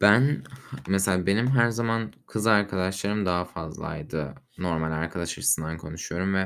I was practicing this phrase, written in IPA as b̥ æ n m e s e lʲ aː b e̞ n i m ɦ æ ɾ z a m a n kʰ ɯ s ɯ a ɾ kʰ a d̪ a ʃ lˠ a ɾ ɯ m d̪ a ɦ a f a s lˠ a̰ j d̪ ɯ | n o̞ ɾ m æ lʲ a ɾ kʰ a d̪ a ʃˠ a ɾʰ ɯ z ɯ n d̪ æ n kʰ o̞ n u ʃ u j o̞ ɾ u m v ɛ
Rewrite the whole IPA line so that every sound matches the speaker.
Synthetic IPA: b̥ æ n m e s e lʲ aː b e̞ n i m ɦ æ ɾ z a m a n kʰ ɯ z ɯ a ɾ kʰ a d̪ a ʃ lˠ a ɾ ɯ m d̪ a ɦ a f a z lˠ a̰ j d̪ ɯ | n o̞ ɾ m a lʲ a ɾ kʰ a d̪ a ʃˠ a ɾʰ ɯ s ɯ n d̪ a n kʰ o̞ n u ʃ u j o̞ ɾ u m v ɛ